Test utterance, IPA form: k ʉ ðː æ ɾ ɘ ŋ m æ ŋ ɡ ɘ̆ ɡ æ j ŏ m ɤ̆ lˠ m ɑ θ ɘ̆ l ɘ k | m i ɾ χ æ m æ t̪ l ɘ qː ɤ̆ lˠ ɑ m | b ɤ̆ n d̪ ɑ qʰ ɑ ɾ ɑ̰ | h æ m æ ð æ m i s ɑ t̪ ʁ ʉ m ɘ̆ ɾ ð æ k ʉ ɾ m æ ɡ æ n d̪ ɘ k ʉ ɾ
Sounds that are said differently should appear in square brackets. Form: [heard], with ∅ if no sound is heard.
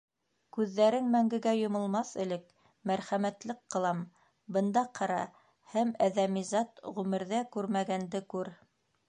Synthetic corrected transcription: k ʉ ðː æ ɾ ɘ ŋ m æ ŋ ɡ ɘ̆ ɡ æ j ŏ m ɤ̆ lˠ m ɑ θ ɘ̆ l ɘ k | m [æ] ɾ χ æ m æ t̪ l ɘ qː ɤ̆ lˠ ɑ m | b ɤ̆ n d̪ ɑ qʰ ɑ ɾ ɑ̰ | h æ m æ ð æ m i [z] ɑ t̪ ʁ ʉ m ɘ̆ ɾ ð æ k ʉ ɾ m æ ɡ æ n d̪ ɘ k ʉ ɾ